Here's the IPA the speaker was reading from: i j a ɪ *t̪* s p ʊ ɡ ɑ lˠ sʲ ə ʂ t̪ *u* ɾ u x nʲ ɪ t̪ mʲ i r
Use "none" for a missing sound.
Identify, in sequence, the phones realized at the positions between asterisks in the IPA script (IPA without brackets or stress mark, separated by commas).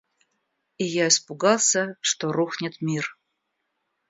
none, o